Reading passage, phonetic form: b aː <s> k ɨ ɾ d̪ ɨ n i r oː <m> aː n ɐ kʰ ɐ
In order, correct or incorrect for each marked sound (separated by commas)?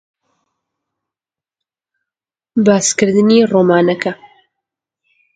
correct, correct